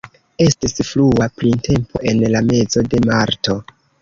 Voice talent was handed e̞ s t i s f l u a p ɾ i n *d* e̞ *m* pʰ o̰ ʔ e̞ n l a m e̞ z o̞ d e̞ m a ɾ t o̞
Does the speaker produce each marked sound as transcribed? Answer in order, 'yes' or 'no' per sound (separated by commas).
no, yes